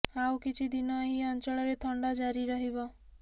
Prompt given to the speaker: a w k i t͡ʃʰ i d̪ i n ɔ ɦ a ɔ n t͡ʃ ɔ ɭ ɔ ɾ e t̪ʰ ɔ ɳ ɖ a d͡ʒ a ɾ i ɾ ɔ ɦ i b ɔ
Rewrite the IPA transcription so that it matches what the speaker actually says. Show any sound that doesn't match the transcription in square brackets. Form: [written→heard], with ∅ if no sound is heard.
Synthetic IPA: a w k i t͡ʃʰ i d̪ i n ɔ ɦ [a→i] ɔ n t͡ʃ ɔ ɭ ɔ ɾ e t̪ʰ ɔ ɳ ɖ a d͡ʒ a ɾ i ɾ ɔ ɦ i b ɔ

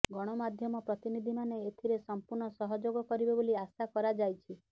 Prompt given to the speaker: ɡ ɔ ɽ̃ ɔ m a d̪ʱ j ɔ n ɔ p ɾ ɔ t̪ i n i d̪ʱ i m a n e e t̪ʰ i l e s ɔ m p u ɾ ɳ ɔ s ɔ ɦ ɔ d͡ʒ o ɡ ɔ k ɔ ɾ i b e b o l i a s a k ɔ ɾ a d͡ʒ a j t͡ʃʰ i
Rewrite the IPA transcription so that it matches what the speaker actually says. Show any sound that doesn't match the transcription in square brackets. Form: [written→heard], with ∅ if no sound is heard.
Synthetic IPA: ɡ ɔ ɽ̃ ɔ m a d̪ʱ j ɔ [n→m] ɔ p ɾ ɔ t̪ i n i d̪ʱ i m a n e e t̪ʰ i [l→ɾ] e s ɔ m p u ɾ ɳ ɔ s ɔ ɦ ɔ d͡ʒ o ɡ ɔ k ɔ ɾ i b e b o l i a s a k ɔ ɾ a d͡ʒ a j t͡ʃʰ i

